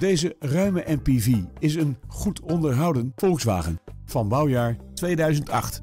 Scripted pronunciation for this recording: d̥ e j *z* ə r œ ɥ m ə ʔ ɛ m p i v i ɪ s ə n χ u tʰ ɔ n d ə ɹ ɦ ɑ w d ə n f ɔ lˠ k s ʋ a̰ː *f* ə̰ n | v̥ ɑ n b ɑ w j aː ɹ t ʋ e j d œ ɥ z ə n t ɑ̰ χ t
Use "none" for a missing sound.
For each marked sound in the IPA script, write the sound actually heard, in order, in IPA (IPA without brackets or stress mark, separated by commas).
z, χ